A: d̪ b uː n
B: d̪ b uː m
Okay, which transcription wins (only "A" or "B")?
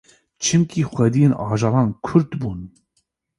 A